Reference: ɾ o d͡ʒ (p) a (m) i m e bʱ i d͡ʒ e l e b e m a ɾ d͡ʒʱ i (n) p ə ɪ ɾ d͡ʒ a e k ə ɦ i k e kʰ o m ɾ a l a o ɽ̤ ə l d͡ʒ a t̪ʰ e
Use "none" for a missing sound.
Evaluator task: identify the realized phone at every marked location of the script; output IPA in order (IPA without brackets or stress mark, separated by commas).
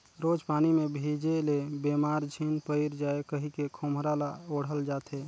p, n, n